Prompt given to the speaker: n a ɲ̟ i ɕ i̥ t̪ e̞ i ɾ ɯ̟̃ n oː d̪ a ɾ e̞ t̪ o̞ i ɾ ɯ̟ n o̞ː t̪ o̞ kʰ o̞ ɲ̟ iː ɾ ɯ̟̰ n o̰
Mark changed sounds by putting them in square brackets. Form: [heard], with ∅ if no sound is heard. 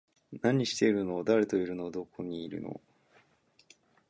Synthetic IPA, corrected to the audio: n a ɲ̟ i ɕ i̥ t̪ e̞ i ɾ [ɯ̟] n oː d̪ a ɾ e̞ t̪ o̞ i ɾ ɯ̟ n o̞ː [d̪] o̞ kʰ o̞ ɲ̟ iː ɾ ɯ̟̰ n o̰